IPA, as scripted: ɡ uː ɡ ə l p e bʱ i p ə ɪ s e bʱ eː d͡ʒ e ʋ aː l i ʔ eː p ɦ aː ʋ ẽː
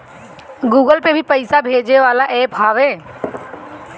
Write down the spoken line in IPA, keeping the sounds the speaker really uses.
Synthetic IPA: ɡ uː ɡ ə l p e bʱ i p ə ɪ s a bʱ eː d͡ʒ e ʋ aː l a ʔ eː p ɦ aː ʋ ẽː